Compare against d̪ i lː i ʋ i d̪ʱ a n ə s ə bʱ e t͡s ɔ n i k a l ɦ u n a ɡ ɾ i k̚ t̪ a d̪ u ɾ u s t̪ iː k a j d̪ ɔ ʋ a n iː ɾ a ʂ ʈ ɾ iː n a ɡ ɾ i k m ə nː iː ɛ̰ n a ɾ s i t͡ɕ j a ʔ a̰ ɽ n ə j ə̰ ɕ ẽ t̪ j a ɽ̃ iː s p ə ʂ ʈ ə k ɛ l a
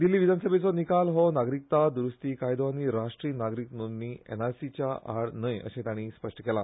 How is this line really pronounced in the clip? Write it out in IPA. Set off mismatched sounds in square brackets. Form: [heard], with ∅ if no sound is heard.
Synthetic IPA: d̪ i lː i ʋ i d̪ʱ a n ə s ə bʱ e t͡s ɔ n i k a l ɦ [ɔ] n a ɡ ɾ i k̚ t̪ a d̪ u ɾ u s t̪ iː k a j d̪ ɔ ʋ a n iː ɾ a ʂ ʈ ɾ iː n a ɡ ɾ i k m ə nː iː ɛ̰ n a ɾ s i t͡ɕ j a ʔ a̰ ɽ n ə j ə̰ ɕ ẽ t̪ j a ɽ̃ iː s p ə ʂ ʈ ə k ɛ l a